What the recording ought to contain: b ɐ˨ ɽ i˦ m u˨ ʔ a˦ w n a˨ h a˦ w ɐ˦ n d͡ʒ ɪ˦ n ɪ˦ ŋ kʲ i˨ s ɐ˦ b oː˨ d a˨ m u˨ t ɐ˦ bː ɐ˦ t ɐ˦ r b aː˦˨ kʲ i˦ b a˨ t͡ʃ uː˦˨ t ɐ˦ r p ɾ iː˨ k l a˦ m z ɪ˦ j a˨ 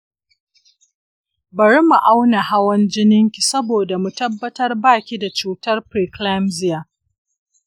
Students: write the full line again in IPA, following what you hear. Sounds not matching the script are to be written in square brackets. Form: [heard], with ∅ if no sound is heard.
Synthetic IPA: b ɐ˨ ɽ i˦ m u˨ ʔ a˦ w n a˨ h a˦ w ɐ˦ n d͡ʒ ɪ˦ n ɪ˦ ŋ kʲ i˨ s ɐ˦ b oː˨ d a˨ m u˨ t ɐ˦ bː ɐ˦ t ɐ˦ r b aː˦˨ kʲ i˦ [d] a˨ t͡ʃ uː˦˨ t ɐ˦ r p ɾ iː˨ k l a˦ m z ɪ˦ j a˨